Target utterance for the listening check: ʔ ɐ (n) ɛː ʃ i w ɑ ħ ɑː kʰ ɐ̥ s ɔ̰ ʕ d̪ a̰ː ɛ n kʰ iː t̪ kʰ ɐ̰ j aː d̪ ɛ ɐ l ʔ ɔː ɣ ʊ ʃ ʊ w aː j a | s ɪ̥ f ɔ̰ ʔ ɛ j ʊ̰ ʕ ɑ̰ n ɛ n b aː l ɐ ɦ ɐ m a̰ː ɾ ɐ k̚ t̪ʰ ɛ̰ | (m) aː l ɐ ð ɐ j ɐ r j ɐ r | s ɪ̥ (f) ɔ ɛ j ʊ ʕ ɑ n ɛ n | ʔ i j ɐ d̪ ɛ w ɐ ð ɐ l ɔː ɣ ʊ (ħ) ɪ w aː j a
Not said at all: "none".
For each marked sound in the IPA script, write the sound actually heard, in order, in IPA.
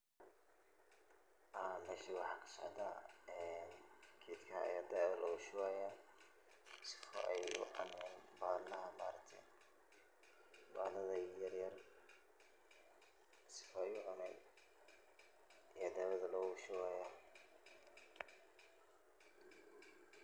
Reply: m, b, f, ʃ

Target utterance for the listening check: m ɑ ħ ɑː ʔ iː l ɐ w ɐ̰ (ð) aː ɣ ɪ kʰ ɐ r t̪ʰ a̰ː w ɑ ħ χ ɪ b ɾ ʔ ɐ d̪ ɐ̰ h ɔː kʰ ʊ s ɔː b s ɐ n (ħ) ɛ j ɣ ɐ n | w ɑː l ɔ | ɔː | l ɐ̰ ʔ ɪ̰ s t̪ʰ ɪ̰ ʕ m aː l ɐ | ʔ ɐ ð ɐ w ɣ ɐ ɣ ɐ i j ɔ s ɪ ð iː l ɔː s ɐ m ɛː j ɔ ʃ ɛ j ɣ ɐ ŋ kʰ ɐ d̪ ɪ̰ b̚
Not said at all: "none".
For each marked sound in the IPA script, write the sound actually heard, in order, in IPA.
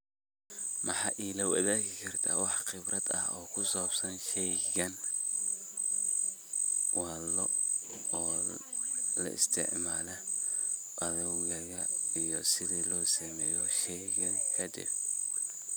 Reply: ð, ʃ

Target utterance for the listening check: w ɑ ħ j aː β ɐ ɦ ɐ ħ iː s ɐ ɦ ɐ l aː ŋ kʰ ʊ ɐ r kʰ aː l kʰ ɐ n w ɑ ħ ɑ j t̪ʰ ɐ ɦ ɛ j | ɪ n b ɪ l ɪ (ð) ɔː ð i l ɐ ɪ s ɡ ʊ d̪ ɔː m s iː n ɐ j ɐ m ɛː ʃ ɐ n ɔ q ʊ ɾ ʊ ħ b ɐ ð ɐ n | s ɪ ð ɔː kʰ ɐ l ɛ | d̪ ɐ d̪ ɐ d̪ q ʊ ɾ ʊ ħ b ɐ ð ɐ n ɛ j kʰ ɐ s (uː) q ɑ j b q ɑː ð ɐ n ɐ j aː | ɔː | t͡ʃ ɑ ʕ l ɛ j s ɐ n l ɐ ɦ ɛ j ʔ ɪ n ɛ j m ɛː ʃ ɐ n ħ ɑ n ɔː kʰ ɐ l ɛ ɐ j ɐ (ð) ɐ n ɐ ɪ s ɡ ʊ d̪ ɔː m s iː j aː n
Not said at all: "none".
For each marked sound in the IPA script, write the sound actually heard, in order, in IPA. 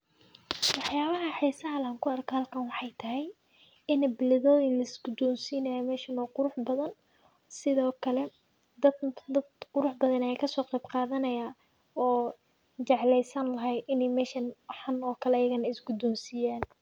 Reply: ð, ɔː, ɣ

